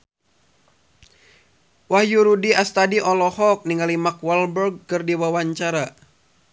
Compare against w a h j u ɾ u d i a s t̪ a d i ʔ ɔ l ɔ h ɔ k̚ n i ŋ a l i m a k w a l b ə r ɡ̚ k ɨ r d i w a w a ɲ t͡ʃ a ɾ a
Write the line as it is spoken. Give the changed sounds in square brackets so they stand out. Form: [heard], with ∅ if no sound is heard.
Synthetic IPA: w a h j u ɾ u d i a s t̪ a d i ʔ ɔ l ɔ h ɔ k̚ n i ŋ a l i m a k w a l b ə r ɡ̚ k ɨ r d i w a w a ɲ t͡ʃ a ɾ a